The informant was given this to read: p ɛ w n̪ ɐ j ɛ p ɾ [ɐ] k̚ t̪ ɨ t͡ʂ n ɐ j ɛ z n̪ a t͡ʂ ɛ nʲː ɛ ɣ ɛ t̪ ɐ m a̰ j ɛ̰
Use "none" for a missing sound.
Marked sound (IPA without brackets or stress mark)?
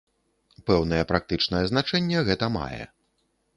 a